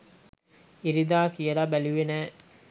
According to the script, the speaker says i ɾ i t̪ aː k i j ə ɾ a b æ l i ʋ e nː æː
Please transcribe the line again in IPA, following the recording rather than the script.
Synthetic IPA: i ɾ i d̪ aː k i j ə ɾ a b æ l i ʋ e n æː